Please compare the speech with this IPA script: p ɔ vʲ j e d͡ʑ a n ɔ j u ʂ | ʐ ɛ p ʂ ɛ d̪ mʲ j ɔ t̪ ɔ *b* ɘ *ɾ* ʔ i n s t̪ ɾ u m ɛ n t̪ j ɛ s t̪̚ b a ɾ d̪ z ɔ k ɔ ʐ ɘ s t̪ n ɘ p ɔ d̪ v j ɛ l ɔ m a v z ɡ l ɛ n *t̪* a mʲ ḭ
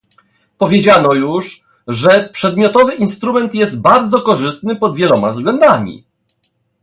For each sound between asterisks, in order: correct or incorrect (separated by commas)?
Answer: incorrect, incorrect, incorrect